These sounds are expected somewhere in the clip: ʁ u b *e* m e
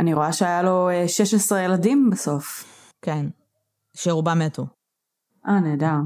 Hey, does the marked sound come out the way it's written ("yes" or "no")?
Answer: no